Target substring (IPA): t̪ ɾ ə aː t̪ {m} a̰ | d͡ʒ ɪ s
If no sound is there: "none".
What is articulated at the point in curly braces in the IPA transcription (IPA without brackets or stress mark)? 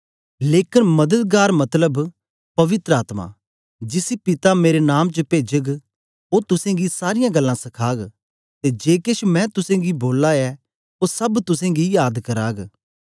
m